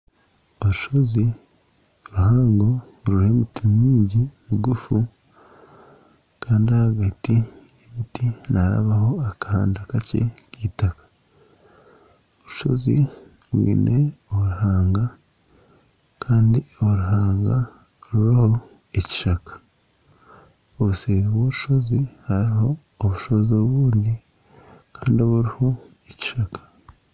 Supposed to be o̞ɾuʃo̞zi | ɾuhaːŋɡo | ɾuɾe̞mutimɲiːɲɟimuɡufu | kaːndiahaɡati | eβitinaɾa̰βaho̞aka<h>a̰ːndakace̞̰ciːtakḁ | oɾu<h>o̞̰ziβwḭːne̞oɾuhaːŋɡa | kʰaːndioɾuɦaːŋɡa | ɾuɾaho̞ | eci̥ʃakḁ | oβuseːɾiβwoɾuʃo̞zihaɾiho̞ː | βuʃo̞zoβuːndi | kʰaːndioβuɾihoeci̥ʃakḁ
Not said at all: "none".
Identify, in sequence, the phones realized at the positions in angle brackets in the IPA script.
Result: h, ʃ

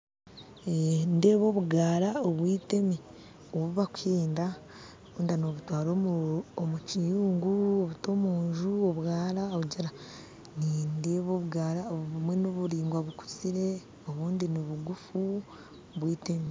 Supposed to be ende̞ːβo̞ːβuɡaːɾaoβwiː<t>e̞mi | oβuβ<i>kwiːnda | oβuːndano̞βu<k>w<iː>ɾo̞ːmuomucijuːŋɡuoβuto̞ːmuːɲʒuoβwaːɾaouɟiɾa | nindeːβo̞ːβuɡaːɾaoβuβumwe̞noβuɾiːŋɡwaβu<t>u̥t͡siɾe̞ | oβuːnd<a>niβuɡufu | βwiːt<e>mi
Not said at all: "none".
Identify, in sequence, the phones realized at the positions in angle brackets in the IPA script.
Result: t, a, t, aː, k, i, e

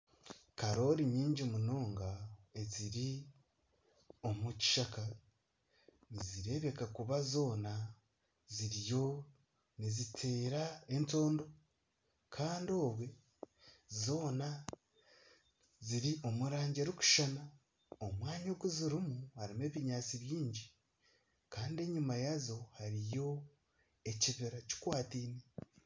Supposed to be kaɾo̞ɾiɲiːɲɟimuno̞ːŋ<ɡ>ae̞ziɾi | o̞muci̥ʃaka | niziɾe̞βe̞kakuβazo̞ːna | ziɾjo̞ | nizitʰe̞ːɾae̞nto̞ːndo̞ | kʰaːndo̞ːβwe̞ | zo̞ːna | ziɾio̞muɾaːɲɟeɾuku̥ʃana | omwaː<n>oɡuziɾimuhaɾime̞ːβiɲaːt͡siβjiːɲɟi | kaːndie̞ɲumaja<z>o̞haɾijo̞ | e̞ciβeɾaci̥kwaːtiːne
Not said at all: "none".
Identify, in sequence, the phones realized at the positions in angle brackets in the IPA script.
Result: ɡ, ɲ, z

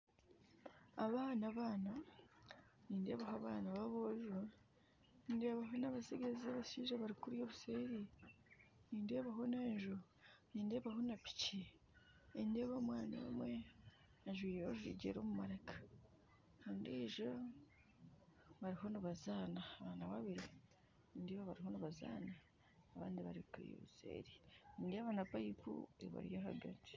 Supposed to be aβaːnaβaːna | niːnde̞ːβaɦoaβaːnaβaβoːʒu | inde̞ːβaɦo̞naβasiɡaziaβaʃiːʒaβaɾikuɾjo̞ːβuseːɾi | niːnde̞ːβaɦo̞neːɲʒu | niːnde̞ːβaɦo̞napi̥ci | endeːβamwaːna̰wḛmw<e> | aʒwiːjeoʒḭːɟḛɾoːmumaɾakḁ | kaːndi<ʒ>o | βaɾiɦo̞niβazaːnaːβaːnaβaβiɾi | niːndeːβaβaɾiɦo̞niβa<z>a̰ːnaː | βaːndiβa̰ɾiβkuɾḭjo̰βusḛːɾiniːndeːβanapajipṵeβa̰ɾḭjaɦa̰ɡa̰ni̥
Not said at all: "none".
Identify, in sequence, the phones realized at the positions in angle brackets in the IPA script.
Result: e, ʒ, z

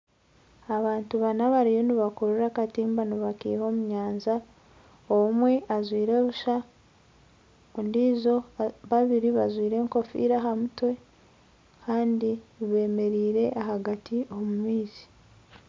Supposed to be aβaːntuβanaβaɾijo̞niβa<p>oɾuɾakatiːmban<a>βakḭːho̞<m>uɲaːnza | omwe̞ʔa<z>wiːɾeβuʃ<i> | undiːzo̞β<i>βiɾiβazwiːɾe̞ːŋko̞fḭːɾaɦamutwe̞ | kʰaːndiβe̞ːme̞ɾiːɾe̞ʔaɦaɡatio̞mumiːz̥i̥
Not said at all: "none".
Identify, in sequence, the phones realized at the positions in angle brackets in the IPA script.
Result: k, i, m, z, a, a

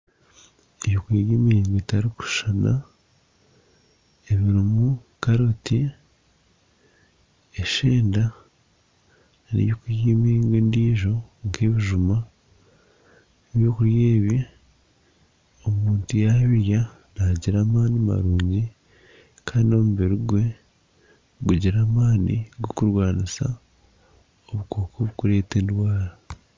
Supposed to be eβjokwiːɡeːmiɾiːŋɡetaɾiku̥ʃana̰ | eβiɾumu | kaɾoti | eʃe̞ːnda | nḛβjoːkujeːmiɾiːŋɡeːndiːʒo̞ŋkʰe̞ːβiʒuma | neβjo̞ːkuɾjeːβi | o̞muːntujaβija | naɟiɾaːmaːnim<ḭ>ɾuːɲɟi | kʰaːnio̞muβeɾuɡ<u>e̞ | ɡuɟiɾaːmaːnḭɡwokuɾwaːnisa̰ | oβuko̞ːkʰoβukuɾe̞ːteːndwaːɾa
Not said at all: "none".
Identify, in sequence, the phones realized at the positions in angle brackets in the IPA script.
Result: a̰, w

